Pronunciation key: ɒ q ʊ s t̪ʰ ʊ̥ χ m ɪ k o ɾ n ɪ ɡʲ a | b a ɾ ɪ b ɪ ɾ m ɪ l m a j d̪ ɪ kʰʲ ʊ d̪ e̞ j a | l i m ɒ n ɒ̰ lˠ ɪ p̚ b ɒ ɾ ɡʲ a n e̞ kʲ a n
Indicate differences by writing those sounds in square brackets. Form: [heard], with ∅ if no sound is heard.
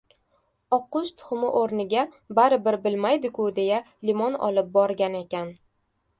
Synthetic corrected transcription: ɒ q ʊ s t̪ʰ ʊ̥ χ m ɪ [ʔ] o ɾ n ɪ ɡʲ a | b a ɾ ɪ b ɪ ɾ [b] ɪ l m a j d̪ ɪ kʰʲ ʊ d̪ e̞ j a | l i m ɒ n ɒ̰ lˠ ɪ p̚ b ɒ ɾ ɡʲ a n e̞ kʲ a n